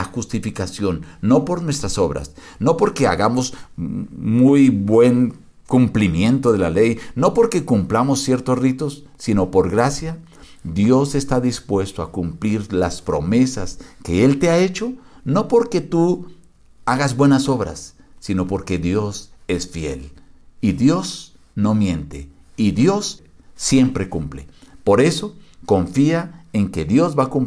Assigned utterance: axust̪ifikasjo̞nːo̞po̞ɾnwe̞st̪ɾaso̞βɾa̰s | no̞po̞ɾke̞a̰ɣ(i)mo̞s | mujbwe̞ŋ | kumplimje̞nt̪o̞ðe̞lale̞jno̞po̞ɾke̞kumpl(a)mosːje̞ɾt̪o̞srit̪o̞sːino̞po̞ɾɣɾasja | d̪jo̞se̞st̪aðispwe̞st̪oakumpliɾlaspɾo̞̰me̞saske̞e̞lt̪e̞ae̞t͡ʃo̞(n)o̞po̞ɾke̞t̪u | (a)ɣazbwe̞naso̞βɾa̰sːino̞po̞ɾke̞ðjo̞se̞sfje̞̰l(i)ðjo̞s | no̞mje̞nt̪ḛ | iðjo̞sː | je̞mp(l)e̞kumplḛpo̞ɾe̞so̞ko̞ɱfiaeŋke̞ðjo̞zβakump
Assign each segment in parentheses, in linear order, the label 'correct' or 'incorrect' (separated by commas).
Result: incorrect, correct, correct, correct, correct, incorrect